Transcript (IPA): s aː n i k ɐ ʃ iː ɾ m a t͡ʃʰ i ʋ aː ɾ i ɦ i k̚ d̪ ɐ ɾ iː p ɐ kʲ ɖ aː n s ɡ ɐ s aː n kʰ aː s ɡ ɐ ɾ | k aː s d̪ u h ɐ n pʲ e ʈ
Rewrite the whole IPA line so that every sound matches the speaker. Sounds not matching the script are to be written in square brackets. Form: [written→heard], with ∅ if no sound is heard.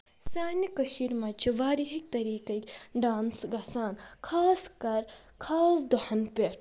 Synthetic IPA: s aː n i k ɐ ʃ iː ɾ m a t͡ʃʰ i ʋ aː ɾ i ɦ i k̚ [d̪→t̪] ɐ ɾ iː [p→k] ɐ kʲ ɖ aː n s ɡ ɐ s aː n kʰ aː s [ɡ→k] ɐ ɾ | [k→kʰ] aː s d̪ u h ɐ n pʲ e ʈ

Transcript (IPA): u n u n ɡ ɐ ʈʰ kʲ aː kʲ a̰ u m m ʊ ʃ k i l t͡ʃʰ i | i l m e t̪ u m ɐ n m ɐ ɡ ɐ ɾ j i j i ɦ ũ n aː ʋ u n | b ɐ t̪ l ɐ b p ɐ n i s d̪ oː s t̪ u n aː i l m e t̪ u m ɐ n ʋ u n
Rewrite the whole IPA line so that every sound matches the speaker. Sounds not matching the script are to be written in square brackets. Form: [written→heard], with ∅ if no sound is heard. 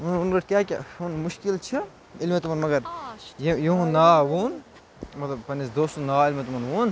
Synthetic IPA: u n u n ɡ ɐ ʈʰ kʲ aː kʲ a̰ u [m→n] m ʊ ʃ k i l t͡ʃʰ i | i l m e t̪ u m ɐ n m ɐ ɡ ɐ ɾ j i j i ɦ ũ n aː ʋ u n | [b→m] ɐ t̪ l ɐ b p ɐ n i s d̪ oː s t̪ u n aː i l m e t̪ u m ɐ n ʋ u n

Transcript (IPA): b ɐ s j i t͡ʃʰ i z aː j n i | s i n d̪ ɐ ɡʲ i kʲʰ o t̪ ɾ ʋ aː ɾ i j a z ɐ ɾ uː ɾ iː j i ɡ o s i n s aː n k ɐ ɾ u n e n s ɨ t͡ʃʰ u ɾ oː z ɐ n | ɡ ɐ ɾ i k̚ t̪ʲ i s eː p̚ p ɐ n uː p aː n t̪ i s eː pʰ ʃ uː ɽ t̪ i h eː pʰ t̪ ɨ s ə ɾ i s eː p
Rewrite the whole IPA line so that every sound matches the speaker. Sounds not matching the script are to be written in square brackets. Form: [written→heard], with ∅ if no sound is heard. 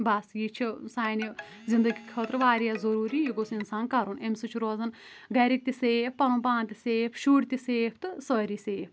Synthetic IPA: b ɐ s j i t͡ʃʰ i [z→s] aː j n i | [s→z] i n d̪ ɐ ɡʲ i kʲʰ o t̪ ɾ ʋ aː ɾ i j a z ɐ ɾ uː ɾ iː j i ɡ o s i n s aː n k ɐ ɾ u n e [n→m] s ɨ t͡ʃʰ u ɾ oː z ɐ n | ɡ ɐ ɾ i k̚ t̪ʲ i s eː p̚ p ɐ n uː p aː n t̪ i s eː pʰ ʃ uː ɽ t̪ i [h→s] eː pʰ t̪ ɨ s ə ɾ i s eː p

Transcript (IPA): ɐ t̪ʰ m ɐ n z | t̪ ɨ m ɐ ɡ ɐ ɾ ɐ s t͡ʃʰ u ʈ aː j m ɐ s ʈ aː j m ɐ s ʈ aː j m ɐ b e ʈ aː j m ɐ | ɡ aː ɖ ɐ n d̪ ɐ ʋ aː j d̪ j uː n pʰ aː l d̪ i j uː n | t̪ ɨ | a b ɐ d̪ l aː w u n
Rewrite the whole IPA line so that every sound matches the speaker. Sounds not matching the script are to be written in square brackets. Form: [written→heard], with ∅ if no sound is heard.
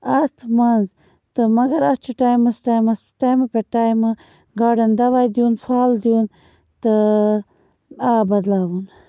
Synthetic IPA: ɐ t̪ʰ m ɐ n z | t̪ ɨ m ɐ ɡ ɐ ɾ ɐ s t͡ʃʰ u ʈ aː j m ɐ s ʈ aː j m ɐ s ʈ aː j m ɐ [b→p] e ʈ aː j m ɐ | ɡ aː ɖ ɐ n d̪ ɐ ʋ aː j d̪ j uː n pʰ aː l d̪ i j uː n | t̪ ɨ | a b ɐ d̪ l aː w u n

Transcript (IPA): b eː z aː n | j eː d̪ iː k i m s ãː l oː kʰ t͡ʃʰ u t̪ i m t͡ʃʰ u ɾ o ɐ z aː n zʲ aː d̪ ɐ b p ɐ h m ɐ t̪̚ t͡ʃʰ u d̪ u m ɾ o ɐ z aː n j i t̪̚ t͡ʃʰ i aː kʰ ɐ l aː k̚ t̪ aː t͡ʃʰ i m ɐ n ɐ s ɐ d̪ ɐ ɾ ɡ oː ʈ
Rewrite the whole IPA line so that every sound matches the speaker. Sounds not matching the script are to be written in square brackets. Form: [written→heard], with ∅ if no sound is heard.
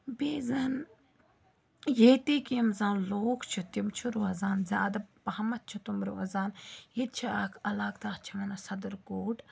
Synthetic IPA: b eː z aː n | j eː [d̪→t̪] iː k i m [s→z] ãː l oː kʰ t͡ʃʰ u t̪ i m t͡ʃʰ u ɾ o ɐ z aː n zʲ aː d̪ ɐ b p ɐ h m ɐ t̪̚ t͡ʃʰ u [d̪→t̪] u m ɾ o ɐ z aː n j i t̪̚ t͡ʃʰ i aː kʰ ɐ l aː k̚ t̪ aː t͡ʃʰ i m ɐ n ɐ s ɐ d̪ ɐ ɾ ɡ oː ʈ

